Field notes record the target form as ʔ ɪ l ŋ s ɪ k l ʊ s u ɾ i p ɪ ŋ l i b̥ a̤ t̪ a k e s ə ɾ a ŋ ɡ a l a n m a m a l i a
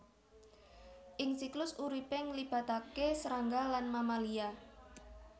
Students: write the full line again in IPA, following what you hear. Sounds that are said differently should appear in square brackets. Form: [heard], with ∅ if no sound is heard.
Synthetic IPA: ʔ ɪ [∅] ŋ s [i] k l ʊ s u ɾ i p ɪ ŋ l i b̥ a̤ t̪ a k e s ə ɾ a ŋ ɡ a l a n m a m a l i a